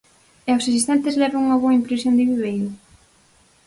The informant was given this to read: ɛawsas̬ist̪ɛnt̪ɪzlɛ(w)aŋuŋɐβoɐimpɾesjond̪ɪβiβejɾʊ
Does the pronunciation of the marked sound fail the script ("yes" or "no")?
yes